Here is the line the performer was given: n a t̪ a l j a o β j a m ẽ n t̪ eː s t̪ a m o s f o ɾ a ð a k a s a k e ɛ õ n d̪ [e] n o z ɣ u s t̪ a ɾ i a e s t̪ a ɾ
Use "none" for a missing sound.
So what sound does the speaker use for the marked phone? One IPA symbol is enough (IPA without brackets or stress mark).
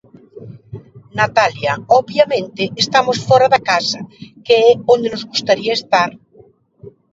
e